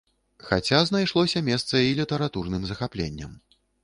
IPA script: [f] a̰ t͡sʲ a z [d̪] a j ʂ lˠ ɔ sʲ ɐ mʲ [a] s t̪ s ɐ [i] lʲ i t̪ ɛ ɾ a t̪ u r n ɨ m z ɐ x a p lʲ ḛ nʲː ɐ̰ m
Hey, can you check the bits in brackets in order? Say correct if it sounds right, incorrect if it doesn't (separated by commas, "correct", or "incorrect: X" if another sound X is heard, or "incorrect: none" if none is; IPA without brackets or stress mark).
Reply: incorrect: x, incorrect: n̪, incorrect: ɛ, correct